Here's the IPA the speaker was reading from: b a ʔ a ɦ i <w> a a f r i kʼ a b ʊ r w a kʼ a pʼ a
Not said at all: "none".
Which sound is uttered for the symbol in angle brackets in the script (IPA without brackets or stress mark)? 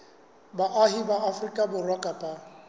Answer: b